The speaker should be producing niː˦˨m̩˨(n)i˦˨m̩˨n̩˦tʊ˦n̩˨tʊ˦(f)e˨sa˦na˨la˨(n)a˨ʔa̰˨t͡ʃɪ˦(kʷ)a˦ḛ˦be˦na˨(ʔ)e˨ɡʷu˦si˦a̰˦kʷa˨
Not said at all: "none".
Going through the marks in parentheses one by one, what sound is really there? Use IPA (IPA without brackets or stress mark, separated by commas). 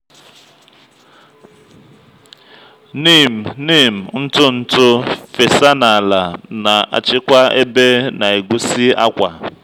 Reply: n, f, n, kʷ, none